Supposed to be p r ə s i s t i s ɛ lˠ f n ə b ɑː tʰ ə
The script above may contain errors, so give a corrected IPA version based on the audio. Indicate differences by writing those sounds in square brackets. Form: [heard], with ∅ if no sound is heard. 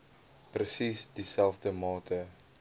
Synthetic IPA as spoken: p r ə s i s [d] i s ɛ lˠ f [d] ə [m] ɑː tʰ ə